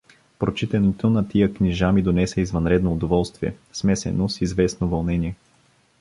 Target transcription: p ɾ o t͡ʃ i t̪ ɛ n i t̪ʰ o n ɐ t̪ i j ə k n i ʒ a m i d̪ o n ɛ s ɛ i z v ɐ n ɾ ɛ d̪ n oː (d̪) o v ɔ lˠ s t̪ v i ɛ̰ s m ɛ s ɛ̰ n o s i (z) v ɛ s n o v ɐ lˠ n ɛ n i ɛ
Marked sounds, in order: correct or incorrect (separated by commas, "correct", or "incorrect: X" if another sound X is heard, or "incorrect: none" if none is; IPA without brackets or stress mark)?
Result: correct, correct